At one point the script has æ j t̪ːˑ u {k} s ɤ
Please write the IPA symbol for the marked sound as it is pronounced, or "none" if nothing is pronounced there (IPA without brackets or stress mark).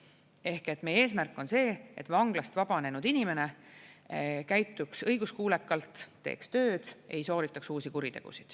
k